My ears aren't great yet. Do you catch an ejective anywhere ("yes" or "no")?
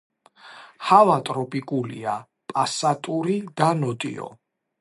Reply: yes